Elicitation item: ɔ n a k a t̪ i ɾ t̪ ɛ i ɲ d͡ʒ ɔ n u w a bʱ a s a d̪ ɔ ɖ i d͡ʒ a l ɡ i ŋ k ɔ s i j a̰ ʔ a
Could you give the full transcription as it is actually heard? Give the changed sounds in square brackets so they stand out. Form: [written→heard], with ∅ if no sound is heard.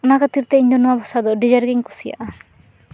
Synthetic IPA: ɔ n a k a t̪ i ɾ t̪ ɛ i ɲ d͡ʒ ɔ n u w a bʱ a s a d̪ ɔ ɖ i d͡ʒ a [l→ɾ] ɡ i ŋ k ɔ s i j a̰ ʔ a